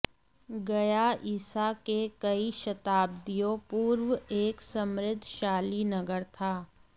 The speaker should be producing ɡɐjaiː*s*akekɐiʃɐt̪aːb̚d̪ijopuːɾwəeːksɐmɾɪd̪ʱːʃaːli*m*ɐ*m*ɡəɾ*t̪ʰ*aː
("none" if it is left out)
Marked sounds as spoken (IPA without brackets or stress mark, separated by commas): s, n, none, t̪ʰ